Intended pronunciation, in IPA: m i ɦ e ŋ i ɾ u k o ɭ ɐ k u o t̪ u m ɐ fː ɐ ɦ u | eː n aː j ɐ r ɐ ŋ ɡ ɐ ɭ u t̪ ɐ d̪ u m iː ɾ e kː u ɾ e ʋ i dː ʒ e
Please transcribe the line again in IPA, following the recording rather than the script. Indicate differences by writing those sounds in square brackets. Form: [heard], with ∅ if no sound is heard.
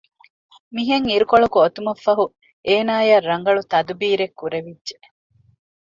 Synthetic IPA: m i ɦ e ŋ i ɾ u k o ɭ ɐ k u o t̪ u m ɐ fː ɐ ɦ u | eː n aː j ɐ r ɐ ŋ ɡ ɐ ɭ u t̪ ɐ d̪ u [b] iː ɾ e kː u ɾ e ʋ i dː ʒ e

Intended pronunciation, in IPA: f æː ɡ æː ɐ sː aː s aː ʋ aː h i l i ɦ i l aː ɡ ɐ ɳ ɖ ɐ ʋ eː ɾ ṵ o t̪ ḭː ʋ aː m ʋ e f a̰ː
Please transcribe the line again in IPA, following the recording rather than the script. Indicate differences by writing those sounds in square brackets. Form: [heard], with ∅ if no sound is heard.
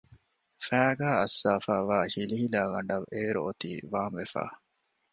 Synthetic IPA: f æː ɡ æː ɐ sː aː [f] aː ʋ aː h i l i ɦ i l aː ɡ ɐ ɳ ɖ ɐ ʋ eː ɾ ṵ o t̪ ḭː ʋ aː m ʋ e f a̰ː

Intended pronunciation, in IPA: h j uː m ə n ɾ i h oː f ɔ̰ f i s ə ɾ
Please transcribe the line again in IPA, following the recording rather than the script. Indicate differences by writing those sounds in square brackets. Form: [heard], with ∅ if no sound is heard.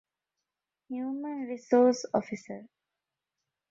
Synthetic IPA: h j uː m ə n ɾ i [s] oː [s] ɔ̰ f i s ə ɾ

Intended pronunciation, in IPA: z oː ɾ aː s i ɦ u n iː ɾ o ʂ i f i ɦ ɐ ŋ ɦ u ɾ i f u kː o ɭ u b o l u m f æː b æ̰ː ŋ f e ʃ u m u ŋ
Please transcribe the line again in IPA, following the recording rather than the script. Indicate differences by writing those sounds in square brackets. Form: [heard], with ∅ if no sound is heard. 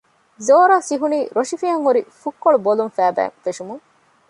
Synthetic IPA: z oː ɾ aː s i ɦ u n iː ɾ o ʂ i f i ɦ ɐ ŋ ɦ u ɾ i f u kː o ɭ u b o l u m f æː b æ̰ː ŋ f e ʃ u m u ŋ

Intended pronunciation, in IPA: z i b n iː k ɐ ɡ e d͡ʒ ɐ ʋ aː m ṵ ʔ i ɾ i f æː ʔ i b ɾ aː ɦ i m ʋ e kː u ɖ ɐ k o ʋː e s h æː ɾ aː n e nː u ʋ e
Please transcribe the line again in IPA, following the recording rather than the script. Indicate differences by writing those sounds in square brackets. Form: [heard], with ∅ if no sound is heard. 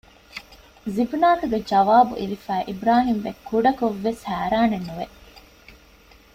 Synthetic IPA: z i b n [aː] k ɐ ɡ e d͡ʒ ɐ ʋ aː [b] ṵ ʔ i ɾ i f æː ʔ i b ɾ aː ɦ i m ʋ e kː u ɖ ɐ k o ʋː e s h æː ɾ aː n e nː u ʋ e

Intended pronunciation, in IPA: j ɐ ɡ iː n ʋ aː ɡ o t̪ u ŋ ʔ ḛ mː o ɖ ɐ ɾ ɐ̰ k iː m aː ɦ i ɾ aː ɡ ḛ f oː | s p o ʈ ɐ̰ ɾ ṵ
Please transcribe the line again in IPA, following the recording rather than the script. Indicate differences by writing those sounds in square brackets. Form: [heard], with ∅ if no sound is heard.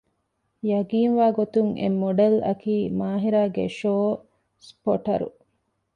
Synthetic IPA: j ɐ ɡ iː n ʋ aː ɡ o t̪ u ŋ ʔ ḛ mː o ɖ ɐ [l] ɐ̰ k iː m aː ɦ i ɾ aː ɡ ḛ [ʃ] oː | s p o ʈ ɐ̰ ɾ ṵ

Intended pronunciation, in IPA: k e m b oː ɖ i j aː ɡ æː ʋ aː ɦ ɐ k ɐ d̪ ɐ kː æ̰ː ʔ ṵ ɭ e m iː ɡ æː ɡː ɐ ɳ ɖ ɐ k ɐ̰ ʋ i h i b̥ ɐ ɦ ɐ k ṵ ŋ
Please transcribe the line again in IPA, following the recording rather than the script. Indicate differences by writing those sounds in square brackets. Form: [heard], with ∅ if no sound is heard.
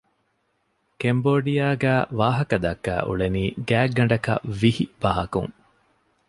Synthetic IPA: k e m b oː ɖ i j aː ɡ æː ʋ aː ɦ ɐ k ɐ d̪ ɐ kː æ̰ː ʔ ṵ ɭ e [n] iː ɡ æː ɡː ɐ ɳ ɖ ɐ k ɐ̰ ʋ i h i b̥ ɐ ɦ ɐ k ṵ ŋ

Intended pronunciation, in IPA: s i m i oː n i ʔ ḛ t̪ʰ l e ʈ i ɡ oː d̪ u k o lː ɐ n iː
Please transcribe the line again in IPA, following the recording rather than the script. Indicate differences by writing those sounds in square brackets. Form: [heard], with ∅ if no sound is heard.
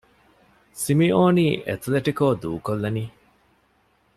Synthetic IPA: s i m i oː n [iː] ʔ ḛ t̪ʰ l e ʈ i [k] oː d̪ [uː] k o lː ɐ n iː

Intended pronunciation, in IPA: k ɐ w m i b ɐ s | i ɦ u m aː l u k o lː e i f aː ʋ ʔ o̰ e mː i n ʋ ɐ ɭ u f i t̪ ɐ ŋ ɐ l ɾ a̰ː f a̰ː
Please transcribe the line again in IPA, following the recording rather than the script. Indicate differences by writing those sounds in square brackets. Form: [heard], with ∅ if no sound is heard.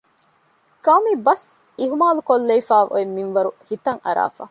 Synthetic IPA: k ɐ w m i b ɐ s | i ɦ u m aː l u k o lː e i f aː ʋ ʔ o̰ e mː i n ʋ ɐ [ɾ] u [h] i t̪ ɐ ŋ ɐ [∅] ɾ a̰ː f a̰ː

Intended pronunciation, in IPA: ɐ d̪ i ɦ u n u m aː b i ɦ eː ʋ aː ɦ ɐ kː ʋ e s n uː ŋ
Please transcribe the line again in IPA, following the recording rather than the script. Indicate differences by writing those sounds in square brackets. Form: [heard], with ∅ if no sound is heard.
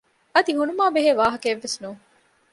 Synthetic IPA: ɐ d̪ i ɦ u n u m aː b [e] ɦ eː ʋ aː ɦ ɐ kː [ʋː] e s n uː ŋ

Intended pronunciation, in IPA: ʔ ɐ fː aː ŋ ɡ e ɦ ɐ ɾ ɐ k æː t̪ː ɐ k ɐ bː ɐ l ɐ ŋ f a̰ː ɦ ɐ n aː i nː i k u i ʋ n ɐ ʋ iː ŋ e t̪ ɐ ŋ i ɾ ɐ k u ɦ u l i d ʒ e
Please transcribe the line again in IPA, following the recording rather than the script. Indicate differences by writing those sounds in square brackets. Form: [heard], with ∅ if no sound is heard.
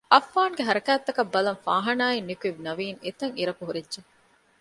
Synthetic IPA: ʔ ɐ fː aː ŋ ɡ e ɦ ɐ ɾ ɐ k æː t̪ː ɐ k ɐ bː ɐ l ɐ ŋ f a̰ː ɦ ɐ n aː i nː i k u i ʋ n ɐ ʋ iː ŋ e t̪ ɐ ŋ i ɾ ɐ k u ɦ u [ɾ] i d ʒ e

